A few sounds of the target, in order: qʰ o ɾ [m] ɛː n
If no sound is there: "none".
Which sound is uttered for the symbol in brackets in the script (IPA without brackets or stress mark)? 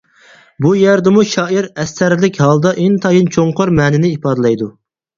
m